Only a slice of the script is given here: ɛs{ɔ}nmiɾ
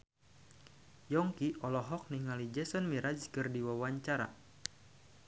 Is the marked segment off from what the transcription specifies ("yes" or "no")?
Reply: no